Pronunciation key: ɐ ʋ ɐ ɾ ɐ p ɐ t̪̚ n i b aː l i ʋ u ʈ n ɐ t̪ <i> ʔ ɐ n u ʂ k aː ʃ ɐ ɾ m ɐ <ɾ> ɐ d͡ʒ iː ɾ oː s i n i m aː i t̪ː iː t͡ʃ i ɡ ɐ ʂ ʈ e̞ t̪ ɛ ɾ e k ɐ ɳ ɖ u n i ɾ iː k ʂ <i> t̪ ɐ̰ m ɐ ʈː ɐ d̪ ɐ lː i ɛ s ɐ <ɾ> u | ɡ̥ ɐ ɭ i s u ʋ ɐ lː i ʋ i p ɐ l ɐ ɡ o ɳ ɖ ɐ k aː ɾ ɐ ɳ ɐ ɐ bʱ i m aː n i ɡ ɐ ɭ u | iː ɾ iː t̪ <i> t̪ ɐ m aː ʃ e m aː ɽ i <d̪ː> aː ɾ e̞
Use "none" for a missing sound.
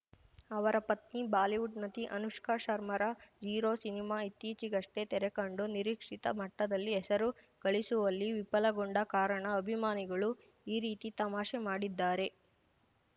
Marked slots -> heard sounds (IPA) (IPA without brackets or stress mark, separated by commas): i, ɾ, i, ɾ, i, d̪ː